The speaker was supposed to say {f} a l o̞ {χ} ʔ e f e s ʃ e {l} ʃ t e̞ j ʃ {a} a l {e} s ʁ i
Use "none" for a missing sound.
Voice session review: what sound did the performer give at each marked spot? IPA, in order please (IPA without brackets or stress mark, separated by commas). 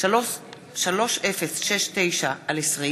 ʃ, ʃ, none, a, e